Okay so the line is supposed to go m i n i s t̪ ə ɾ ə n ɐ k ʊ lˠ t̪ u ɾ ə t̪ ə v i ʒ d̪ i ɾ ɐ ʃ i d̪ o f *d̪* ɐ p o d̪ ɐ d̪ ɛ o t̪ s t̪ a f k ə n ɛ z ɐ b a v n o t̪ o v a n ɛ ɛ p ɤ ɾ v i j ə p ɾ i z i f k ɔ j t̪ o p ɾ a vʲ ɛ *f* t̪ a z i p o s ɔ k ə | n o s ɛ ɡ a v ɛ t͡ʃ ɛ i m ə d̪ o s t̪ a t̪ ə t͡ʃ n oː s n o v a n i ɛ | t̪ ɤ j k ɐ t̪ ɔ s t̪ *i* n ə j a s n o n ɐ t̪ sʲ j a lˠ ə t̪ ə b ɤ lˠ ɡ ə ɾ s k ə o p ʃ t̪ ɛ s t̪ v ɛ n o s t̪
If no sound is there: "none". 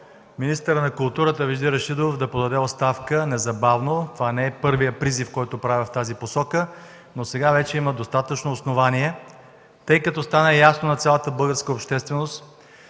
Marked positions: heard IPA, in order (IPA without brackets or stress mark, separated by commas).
d̪, f, a